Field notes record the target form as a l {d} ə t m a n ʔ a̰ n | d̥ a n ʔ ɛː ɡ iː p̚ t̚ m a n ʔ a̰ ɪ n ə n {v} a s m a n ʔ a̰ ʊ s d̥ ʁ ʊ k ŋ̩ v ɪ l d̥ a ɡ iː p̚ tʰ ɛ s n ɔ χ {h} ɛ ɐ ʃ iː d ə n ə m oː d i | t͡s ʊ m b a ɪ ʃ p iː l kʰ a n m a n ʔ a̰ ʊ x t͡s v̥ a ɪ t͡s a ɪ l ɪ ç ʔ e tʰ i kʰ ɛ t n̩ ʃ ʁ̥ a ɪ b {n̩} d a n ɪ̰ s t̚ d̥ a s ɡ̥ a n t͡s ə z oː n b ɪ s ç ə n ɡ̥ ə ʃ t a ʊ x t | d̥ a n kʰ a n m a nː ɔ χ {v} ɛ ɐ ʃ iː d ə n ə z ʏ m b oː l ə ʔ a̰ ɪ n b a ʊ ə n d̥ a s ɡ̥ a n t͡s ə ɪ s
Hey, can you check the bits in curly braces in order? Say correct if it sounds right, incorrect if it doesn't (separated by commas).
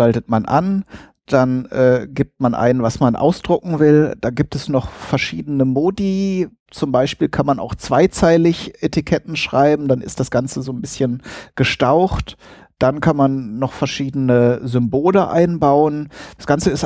incorrect, correct, incorrect, incorrect, incorrect